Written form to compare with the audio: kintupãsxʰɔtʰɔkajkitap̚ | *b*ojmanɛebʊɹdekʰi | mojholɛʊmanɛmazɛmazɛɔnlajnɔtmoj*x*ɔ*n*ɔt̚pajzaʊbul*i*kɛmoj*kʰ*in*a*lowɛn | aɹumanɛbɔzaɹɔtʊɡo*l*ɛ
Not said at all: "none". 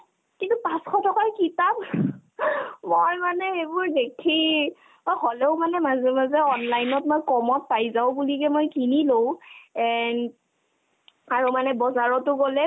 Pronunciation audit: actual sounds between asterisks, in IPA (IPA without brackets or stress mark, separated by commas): m, k, m, i, k, i, l